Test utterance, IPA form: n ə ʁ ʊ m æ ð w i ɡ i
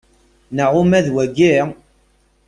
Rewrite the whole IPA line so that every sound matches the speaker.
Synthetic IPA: n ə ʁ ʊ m æ ð w æ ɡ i